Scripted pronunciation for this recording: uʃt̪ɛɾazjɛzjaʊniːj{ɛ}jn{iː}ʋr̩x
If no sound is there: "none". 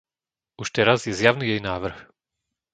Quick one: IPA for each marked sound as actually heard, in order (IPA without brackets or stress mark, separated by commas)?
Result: ɛ, aː